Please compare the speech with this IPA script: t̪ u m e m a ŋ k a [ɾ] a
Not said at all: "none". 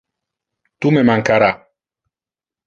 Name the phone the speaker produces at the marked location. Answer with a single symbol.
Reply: ɾ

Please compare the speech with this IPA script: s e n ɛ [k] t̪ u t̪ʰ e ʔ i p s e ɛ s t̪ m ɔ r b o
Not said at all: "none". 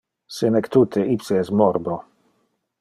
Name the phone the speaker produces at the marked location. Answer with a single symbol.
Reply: k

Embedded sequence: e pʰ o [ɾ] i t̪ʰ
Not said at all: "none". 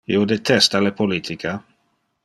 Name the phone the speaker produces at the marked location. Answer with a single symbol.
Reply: l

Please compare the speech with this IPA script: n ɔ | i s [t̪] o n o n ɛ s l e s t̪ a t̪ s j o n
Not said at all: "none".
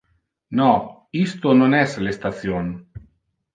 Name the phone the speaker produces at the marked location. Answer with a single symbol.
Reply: t̪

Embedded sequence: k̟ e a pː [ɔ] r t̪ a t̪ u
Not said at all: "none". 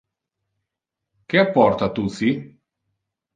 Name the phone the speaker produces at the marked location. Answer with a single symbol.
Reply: ɔ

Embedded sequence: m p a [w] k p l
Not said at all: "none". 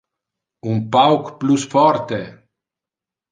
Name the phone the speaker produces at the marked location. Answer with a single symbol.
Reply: w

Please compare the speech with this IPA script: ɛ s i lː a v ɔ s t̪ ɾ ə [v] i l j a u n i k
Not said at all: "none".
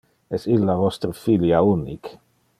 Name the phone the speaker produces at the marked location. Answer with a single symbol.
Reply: f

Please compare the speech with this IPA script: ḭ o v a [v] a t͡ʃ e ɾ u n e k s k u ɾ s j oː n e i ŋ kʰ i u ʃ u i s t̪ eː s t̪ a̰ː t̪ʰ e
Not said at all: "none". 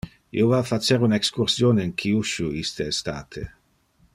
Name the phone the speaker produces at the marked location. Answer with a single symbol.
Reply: f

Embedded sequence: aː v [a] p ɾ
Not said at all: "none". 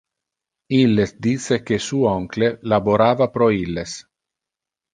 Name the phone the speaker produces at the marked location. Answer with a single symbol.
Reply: a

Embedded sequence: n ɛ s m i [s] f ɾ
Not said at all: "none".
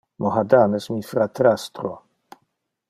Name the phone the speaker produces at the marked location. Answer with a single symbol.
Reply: none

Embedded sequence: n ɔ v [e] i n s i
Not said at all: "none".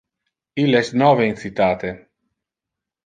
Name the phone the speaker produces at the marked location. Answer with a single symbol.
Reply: e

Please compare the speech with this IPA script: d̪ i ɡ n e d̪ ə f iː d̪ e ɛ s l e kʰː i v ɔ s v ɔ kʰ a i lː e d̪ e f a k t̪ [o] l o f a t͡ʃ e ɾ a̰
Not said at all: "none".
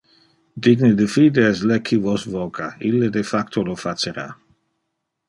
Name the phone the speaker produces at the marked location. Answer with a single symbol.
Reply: o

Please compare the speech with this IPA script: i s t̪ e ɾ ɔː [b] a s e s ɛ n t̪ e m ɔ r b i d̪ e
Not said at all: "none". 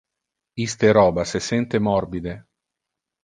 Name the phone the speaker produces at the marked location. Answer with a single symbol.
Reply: b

